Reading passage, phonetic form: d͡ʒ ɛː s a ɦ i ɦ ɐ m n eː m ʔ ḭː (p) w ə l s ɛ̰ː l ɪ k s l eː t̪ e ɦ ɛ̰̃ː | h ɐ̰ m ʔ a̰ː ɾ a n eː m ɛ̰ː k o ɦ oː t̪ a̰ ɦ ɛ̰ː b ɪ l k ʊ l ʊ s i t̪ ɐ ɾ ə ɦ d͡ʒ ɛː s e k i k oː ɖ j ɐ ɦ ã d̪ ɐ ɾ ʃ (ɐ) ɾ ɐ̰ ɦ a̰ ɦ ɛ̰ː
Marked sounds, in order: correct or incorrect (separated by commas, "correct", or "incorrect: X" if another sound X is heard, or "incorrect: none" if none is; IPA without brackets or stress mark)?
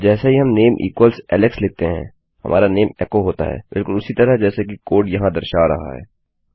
incorrect: k, incorrect: a